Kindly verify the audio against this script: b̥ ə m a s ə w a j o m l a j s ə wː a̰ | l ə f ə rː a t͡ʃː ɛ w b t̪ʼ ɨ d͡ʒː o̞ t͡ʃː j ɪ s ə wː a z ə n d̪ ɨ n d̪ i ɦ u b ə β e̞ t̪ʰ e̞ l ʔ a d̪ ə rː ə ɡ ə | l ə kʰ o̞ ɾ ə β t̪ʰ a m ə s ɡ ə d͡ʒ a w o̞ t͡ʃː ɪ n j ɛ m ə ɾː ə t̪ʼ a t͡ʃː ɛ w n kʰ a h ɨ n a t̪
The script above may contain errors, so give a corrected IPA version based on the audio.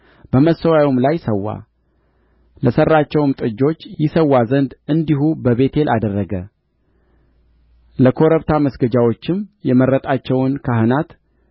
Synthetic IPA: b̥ ə m ə s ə w a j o m l a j s ə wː a̰ | l ə s ə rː a t͡ʃː ɛ w m t̪ʼ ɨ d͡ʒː o̞ t͡ʃː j ɪ s ə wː a z ə n d̪ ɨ n d̪ i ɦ u b ə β e̞ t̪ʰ e̞ l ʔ a d̪ ə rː ə ɡ ə | l ə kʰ o̞ ɾ ə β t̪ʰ a m ə s ɡ ə d͡ʒ a w o̞ t͡ʃː ɪ m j ɛ m ə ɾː ə t̪ʼ a t͡ʃː ɛ w n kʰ a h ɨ n a t̪

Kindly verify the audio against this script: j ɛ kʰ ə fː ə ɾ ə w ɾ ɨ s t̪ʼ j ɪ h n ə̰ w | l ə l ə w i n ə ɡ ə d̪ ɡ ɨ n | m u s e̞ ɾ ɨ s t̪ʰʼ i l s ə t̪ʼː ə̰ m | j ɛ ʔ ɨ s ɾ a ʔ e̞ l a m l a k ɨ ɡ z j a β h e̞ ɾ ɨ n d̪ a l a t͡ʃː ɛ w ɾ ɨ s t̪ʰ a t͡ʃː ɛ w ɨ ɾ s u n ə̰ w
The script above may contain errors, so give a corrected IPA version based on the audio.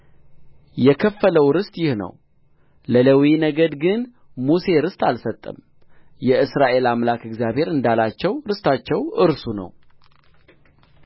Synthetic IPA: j ɛ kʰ ə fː ə l ə w ɾ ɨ s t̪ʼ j ɪ h n ə̰ w | l ə l ə w i n ə ɡ ə d̪ ɡ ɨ n | m u s e̞ ɾ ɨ s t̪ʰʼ a l s ə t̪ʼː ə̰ m | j ɛ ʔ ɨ s ɾ a ʔ e̞ l a m l a k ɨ ɡ z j a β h e̞ ɾ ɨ n d̪ a l a t͡ʃː ɛ w ɾ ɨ s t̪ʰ a t͡ʃː ɛ w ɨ ɾ s u n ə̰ w

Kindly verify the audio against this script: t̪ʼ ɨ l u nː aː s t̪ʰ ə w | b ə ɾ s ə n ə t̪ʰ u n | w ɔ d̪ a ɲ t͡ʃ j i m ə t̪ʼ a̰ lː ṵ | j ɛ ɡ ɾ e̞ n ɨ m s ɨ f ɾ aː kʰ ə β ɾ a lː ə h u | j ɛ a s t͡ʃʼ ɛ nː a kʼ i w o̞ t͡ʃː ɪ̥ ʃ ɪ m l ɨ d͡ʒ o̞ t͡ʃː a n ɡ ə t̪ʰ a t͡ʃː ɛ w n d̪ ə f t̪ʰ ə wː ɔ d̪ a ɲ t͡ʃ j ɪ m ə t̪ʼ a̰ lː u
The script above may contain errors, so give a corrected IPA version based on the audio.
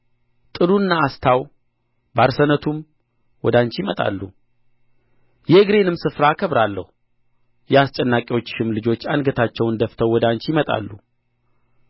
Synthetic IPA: t̪ʼ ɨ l u nː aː s t̪ʰ a w | b a ɾ s ə n ə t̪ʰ u m | w ɔ d̪ a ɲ t͡ʃ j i m ə t̪ʼ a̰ lː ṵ | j ɛ ɡ ɾ e̞ n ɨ m s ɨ f ɾ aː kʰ ə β ɾ a lː ə h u | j ɛ a s t͡ʃʼ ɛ nː a kʼ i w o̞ t͡ʃː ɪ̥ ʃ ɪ m l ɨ d͡ʒ o̞ t͡ʃː a n ɡ ə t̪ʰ a t͡ʃː ɛ w n d̪ ə f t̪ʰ ə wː ɔ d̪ a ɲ t͡ʃ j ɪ m ə t̪ʼ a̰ lː u

